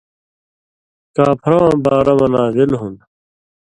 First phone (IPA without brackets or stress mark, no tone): k